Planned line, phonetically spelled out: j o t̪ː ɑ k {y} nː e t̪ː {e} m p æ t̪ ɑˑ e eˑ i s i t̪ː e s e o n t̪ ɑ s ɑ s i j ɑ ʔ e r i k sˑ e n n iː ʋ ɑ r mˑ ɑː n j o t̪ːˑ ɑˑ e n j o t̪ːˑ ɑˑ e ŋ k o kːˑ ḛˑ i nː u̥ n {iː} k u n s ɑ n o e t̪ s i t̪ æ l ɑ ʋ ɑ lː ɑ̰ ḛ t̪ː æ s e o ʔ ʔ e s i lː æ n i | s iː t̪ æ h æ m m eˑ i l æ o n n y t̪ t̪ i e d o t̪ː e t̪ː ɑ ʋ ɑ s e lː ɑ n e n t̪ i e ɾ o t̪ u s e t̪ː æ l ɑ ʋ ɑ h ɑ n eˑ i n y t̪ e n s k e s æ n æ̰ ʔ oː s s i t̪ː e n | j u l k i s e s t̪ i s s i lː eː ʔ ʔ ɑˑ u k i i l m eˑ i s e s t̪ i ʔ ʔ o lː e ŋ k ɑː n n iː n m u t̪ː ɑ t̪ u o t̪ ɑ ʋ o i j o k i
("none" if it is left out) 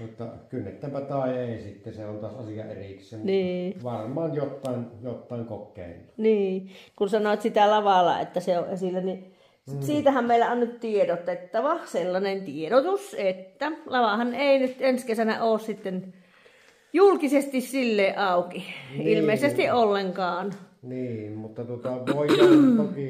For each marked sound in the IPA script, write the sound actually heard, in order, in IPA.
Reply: y, æ, iː

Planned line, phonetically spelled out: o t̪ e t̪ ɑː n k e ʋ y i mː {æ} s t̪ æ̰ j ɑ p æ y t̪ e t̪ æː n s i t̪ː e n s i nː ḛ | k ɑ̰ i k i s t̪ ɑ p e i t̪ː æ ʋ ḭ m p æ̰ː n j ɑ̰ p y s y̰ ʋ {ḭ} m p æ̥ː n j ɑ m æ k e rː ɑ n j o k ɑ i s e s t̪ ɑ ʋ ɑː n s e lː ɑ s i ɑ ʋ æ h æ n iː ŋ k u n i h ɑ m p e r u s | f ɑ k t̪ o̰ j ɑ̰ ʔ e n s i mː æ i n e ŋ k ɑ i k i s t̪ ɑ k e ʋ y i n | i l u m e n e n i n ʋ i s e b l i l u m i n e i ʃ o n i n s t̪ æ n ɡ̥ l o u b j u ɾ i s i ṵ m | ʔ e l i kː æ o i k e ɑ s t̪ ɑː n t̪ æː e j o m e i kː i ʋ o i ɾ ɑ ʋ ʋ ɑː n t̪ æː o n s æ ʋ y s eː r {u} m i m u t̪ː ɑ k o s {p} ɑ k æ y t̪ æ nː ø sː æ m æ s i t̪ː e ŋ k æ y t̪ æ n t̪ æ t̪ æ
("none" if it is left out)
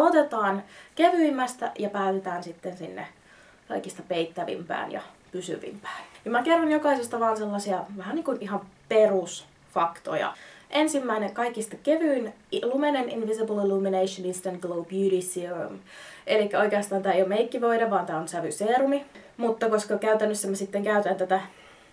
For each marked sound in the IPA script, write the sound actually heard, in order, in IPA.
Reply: æ, ḭ, u, k

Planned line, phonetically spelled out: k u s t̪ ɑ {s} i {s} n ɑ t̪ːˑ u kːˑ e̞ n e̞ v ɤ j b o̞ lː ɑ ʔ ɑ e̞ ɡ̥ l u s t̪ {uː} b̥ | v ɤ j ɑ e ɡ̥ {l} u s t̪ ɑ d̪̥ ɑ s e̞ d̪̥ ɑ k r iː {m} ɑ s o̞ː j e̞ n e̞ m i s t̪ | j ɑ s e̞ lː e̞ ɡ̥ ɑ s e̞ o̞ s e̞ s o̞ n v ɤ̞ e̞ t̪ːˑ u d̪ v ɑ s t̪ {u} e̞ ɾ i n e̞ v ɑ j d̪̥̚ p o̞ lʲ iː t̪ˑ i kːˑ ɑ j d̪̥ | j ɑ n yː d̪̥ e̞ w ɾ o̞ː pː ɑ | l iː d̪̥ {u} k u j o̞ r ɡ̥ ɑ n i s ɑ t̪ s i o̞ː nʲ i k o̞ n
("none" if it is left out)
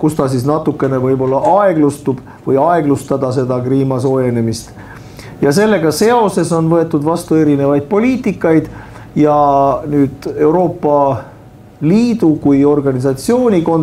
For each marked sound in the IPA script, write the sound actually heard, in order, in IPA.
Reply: s, s, u, l, m, u, u

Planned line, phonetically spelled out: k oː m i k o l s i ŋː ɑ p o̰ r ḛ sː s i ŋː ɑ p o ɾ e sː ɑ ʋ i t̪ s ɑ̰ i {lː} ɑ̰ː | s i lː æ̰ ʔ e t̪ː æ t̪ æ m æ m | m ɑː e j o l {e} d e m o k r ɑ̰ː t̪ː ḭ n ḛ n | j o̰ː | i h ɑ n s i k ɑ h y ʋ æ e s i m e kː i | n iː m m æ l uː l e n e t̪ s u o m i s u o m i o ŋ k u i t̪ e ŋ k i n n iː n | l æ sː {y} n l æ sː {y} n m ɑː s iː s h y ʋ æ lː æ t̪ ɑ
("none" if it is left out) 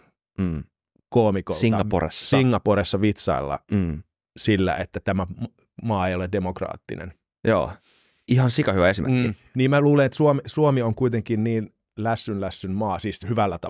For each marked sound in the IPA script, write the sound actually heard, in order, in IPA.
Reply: lː, e, y, y

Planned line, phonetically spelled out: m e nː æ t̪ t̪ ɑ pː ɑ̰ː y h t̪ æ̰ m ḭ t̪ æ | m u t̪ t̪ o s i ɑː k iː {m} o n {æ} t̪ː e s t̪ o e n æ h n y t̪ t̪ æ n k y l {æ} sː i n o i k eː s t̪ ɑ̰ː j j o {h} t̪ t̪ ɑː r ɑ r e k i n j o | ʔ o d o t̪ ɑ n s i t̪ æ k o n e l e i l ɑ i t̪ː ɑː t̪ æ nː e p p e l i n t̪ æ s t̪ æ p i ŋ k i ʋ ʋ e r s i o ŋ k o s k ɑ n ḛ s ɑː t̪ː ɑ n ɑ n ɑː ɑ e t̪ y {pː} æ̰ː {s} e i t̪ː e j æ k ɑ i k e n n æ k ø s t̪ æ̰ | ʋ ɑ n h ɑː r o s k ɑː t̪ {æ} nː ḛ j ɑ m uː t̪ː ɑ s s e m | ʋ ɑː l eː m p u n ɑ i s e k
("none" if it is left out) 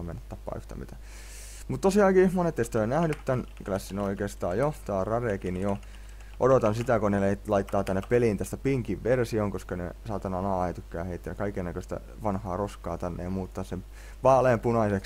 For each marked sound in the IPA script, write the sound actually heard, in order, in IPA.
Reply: m, e, æ, h, kː, h, æ

